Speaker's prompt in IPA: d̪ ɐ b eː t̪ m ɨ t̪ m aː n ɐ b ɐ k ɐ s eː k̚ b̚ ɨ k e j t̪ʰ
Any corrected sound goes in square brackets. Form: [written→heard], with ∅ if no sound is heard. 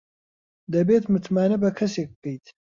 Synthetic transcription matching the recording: d̪ ɐ b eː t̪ m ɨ t̪ m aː n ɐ b ɐ [k→kʰ] ɐ s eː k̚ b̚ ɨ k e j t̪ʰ